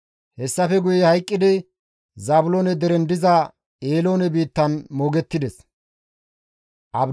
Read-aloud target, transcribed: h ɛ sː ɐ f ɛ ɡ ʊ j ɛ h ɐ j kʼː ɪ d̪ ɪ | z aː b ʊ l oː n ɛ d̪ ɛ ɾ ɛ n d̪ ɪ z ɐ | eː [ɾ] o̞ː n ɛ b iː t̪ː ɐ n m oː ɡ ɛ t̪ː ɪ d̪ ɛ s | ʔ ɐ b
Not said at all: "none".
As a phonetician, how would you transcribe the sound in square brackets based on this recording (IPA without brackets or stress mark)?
l